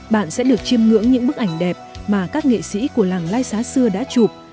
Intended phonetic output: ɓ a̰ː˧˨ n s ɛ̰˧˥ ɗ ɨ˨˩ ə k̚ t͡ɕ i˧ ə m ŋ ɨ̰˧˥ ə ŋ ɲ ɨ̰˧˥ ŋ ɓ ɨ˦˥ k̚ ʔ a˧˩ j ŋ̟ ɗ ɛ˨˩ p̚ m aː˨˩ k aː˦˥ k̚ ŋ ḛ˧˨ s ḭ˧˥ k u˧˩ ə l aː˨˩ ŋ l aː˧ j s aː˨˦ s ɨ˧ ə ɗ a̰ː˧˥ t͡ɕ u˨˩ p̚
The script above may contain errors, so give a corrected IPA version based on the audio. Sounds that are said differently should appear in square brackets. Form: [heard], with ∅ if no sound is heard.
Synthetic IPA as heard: ɓ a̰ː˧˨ n s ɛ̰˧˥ ɗ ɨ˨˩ ə k̚ t͡ɕ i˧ ə m ŋ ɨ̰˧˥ ə ŋ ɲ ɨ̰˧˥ ŋ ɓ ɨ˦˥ k̚ ʔ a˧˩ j ŋ̟ ɗ ɛ˨˩ p̚ m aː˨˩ k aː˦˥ k̚ ŋ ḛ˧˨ s ḭ˧˥ k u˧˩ ə l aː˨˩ ŋ l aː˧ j s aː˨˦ s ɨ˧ ə ɗ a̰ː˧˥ t͡ɕ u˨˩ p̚

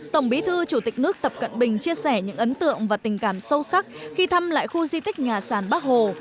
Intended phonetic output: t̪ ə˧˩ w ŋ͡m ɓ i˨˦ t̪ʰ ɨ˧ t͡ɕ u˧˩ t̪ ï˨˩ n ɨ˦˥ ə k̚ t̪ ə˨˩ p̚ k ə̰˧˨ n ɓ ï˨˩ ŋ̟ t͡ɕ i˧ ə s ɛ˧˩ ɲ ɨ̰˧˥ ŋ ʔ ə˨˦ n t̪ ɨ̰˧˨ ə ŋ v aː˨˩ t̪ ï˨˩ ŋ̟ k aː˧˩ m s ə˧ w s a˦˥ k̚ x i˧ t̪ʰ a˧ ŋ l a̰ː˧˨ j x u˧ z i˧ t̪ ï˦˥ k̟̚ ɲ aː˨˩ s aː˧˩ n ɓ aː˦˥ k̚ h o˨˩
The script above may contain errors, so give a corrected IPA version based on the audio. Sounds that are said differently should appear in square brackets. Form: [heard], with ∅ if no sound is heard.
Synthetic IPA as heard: t̪ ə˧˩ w ŋ͡m ɓ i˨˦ t̪ʰ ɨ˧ t͡ɕ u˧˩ t̪ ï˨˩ n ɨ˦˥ ə k̚ t̪ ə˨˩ p̚ k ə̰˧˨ n ɓ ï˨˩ ŋ̟ t͡ɕ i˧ ə s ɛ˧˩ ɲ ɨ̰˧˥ ŋ ʔ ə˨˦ n t̪ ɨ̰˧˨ ə ŋ v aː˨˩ t̪ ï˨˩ ŋ̟ k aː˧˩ m s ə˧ w s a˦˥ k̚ x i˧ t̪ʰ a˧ [m] l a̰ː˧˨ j x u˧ z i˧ t̪ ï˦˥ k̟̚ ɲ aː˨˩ s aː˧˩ n ɓ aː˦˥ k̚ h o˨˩

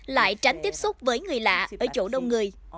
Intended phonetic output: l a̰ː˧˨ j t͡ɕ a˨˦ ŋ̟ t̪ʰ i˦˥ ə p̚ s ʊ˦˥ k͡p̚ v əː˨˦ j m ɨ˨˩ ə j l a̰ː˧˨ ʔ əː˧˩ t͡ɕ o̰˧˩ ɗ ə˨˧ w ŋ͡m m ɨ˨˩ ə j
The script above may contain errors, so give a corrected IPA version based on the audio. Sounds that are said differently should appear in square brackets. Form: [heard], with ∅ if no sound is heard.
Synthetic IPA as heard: l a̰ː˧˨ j t͡ɕ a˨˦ ŋ̟ [t̪] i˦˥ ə p̚ s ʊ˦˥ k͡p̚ v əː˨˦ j [ŋ] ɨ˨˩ ə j l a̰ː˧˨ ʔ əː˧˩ t͡ɕ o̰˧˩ ɗ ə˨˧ w ŋ͡m [ŋ] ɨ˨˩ ə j

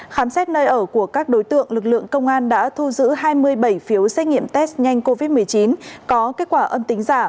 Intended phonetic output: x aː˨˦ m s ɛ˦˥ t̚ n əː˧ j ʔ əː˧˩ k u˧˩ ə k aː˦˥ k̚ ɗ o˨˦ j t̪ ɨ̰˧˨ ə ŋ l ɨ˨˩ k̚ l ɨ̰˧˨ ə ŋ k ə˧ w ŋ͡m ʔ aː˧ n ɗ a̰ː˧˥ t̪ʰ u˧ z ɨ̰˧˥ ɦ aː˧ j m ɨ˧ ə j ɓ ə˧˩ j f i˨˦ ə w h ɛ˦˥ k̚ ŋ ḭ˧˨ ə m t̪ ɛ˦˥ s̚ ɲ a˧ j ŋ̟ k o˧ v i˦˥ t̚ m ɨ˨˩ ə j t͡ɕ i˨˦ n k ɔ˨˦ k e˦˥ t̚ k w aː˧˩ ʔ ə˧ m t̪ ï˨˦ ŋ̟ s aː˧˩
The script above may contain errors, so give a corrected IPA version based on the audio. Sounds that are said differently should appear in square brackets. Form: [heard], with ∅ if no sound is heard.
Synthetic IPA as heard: x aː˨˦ m s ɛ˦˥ t̚ n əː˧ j ʔ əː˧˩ k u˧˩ ə k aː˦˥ k̚ ɗ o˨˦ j t̪ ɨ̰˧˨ ə ŋ l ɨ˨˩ k̚ l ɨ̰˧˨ ə ŋ k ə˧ w ŋ͡m ʔ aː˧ n ɗ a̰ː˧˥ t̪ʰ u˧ z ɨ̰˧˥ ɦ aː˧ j m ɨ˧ ə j ɓ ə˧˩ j f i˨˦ ə w [s] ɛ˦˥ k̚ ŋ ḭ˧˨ ə m t̪ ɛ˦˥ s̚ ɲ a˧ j ŋ̟ k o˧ v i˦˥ t̚ m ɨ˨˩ ə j t͡ɕ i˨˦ n k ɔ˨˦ k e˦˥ t̚ k w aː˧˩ ʔ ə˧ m t̪ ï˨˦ ŋ̟ [z] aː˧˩

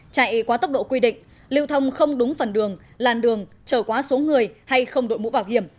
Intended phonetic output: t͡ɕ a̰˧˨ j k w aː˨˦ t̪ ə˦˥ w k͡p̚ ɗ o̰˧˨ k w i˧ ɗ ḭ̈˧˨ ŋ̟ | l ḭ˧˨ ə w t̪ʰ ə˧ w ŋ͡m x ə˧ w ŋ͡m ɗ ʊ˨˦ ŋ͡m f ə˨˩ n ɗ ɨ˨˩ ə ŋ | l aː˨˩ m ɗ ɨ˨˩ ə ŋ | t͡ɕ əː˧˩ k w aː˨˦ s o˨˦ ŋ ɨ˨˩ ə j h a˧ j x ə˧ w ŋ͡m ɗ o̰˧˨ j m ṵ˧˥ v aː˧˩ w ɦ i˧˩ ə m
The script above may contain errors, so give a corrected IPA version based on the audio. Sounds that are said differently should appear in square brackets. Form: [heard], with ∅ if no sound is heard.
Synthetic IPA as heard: t͡ɕ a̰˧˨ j k w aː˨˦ t̪ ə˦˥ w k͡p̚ ɗ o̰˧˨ k w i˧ ɗ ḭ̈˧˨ ŋ̟ | l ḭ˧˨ ə w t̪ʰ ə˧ w ŋ͡m x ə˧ w ŋ͡m ɗ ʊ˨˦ ŋ͡m f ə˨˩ n ɗ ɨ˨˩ ə ŋ | l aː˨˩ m ɗ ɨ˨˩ ə ŋ | t͡ɕ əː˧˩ k w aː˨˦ s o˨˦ ŋ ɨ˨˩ ə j h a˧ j x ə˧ w ŋ͡m ɗ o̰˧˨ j m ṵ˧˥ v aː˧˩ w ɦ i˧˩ ə m

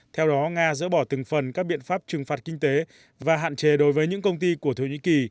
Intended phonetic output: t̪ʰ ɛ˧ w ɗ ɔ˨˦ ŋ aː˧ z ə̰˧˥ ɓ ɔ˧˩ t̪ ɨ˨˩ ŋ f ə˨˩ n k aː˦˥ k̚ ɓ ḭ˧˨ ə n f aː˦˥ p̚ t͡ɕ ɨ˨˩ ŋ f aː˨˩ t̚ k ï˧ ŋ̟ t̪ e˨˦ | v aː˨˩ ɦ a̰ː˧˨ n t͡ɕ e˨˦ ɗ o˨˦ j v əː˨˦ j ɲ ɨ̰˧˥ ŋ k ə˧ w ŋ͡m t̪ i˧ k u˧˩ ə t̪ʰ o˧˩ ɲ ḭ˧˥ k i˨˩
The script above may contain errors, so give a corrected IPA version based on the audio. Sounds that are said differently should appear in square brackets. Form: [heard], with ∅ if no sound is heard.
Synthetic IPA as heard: t̪ʰ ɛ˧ w ɗ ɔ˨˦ ŋ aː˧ z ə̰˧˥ ɓ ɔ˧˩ t̪ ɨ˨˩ ŋ f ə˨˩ n k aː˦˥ k̚ ɓ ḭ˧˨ ə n f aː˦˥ p̚ t͡ɕ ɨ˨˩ ŋ f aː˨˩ t̚ k ï˧ ŋ̟ t̪ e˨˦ | v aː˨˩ ɦ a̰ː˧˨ n t͡ɕ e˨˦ ɗ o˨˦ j v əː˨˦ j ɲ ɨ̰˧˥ ŋ k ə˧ w ŋ͡m t̪ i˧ k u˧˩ ə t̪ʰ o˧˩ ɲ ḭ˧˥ k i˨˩

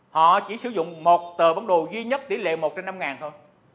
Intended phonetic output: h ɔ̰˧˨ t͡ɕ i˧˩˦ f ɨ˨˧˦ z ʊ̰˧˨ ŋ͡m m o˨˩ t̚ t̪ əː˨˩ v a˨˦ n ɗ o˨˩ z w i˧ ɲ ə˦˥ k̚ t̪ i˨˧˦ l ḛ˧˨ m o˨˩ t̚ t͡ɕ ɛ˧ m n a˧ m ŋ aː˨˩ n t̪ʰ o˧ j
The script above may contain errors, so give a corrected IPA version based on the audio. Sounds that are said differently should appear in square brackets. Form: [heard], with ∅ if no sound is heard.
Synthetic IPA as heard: h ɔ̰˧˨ t͡ɕ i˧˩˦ [s] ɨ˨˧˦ z ʊ̰˧˨ ŋ͡m m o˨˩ t̚ t̪ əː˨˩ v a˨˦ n ɗ o˨˩ z w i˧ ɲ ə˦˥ [t̚] t̪ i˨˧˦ l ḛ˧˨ m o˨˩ t̚ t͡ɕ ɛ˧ m n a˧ m ŋ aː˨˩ n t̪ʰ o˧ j

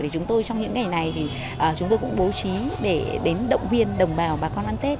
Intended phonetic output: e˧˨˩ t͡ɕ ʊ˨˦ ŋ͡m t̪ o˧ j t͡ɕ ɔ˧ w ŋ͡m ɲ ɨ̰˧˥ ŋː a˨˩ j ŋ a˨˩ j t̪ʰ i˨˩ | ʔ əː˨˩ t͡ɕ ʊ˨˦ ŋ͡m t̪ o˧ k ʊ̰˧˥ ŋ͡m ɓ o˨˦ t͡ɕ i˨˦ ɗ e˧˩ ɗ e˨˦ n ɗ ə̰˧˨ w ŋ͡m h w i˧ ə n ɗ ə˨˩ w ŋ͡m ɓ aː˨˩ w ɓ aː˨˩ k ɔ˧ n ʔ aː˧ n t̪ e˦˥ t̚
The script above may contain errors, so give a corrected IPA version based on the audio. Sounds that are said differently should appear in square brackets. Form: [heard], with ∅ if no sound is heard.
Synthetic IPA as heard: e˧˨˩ t͡ɕ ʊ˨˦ ŋ͡m t̪ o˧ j t͡ɕ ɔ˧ w ŋ͡m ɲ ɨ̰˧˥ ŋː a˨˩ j [n] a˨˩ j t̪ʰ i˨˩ | ʔ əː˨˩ t͡ɕ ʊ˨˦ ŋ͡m t̪ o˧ k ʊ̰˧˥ ŋ͡m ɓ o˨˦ t͡ɕ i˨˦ ɗ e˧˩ ɗ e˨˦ n ɗ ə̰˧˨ w ŋ͡m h w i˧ ə n ɗ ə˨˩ w ŋ͡m ɓ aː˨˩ w ɓ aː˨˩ k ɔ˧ n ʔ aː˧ n t̪ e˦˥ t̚

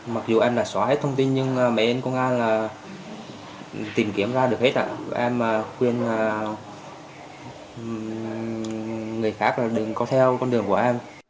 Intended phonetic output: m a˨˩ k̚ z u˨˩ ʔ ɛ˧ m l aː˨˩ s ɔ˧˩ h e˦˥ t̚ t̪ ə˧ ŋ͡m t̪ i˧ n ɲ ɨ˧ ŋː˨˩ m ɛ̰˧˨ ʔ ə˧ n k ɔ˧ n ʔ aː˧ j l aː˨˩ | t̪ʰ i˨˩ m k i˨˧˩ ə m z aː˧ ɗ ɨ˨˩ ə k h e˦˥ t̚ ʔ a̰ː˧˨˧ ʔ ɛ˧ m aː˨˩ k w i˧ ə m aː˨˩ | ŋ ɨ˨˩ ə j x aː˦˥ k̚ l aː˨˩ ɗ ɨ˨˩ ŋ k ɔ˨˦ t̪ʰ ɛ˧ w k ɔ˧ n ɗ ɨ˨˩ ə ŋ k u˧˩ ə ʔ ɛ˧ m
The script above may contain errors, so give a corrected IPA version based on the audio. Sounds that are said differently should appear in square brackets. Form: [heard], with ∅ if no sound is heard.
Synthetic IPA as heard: m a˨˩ k̚ z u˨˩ ʔ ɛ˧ m l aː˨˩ s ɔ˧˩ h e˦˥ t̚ [t̪ʰ] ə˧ ŋ͡m t̪ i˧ n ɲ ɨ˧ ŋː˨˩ m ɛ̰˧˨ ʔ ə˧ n k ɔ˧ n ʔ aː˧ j l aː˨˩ | [t̪] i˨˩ m k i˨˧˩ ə m z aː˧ ɗ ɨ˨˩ ə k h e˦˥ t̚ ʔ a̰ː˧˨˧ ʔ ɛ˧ m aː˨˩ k w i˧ ə [n] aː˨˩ | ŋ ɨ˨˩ ə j x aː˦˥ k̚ l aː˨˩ ɗ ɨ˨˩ ŋ k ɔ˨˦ t̪ʰ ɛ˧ w k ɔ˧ n ɗ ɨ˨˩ ə ŋ k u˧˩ ə ʔ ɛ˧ m

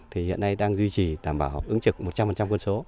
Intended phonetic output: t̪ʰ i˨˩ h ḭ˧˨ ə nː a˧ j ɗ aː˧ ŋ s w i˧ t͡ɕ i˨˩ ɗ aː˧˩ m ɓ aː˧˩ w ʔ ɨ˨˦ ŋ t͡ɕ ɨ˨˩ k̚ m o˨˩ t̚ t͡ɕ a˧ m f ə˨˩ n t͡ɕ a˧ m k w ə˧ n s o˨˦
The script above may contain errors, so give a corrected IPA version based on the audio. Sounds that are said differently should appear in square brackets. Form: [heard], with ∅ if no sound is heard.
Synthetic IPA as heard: t̪ʰ i˨˩ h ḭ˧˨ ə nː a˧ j ɗ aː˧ ŋ [z] w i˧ t͡ɕ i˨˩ ɗ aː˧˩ m ɓ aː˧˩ w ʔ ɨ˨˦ ŋ t͡ɕ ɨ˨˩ k̚ m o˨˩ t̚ t͡ɕ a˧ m f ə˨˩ n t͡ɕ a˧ m k w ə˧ n s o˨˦

